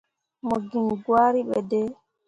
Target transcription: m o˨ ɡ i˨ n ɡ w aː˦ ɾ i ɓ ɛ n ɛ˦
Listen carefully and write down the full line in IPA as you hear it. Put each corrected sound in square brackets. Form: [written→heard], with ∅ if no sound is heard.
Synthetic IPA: m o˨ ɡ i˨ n ɡ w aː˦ ɾ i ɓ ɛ [n→d] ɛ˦